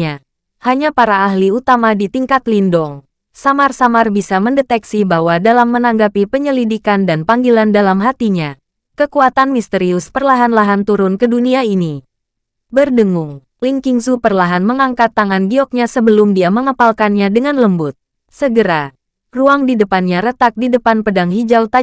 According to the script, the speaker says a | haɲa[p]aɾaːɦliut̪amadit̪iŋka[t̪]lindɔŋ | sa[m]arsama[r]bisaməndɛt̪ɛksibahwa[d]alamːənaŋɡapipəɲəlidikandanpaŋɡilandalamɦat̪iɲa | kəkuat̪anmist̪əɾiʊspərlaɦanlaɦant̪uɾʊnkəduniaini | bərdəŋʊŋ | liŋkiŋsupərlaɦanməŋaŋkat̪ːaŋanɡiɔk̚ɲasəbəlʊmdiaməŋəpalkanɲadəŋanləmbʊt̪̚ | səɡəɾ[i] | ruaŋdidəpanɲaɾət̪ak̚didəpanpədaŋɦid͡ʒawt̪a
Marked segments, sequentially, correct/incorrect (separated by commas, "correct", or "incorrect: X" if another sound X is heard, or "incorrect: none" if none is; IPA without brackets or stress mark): correct, correct, correct, correct, correct, incorrect: a